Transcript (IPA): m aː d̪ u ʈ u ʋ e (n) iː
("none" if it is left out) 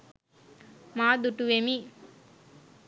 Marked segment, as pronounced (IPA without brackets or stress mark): m